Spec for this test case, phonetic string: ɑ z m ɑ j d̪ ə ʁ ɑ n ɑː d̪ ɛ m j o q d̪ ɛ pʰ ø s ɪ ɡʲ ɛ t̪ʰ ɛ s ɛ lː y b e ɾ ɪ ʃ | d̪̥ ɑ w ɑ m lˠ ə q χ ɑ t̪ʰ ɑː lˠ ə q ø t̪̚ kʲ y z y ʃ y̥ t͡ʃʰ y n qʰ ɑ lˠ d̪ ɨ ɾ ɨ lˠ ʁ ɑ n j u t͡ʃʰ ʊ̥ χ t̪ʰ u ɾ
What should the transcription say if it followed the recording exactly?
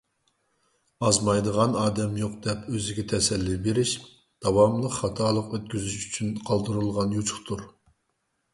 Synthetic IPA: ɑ z m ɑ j d̪ ə ʁ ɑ n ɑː d̪ ɛ m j o q d̪ ɛ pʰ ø z ɪ ɡʲ ɛ t̪ʰ ɛ s ɛ lː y b e ɾ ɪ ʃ | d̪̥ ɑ w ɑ m lˠ ə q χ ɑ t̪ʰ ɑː lˠ ə q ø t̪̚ kʲ y z y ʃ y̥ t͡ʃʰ y n qʰ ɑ lˠ d̪ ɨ ɾ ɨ lˠ ʁ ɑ n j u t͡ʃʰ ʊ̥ χ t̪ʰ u ɾ